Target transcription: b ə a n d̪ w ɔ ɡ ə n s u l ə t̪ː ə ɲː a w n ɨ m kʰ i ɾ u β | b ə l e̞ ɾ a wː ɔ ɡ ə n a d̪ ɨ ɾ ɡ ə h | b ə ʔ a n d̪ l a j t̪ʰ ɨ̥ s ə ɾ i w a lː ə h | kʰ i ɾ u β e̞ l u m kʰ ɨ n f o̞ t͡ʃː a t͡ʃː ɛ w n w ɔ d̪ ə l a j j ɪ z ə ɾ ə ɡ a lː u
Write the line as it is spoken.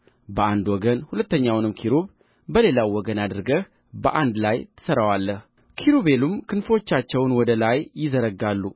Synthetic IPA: b ə a n d̪ w ɔ ɡ ə n h u l ə t̪ː ə ɲː a w n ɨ m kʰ i ɾ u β | b ə l e̞ l a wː ɔ ɡ ə n a d̪ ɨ ɾ ɡ ə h | b ə ʔ a n d̪ l a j t̪ʰ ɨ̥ s ə ɾ a w a lː ə h | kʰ i ɾ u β e̞ l u m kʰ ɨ n f o̞ t͡ʃː a t͡ʃː ɛ w n w ɔ d̪ ə l a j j ɪ z ə ɾ ə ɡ a lː u